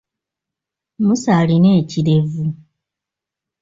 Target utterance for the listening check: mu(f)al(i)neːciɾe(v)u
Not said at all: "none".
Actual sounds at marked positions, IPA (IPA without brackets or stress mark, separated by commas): s, i, v